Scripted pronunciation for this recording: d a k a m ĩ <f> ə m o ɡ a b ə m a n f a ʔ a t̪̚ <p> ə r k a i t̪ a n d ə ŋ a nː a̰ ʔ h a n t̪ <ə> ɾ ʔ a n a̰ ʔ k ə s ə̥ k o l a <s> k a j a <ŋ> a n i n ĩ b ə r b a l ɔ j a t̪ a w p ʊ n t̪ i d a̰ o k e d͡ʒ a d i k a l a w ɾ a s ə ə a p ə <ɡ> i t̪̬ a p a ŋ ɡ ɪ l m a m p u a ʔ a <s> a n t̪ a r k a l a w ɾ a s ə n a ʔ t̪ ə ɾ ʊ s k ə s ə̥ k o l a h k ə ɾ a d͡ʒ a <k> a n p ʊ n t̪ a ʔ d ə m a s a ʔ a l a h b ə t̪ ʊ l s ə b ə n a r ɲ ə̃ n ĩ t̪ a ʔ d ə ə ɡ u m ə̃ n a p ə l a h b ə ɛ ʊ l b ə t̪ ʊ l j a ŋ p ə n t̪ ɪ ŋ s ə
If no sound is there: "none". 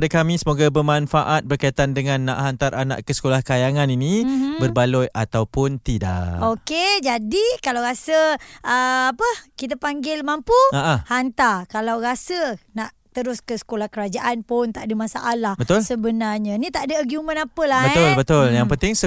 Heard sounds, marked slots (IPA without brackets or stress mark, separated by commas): s, b, a, h, ŋ, k, h, ʔ